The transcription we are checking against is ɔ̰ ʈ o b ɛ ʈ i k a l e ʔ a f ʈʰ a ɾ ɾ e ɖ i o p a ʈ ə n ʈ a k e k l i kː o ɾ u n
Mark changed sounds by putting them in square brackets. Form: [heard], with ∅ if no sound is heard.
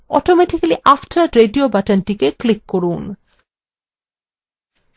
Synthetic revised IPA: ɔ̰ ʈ o [m] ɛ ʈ i k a l [i] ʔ a f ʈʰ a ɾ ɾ e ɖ i o [b] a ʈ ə n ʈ [i] k e k l i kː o ɾ u n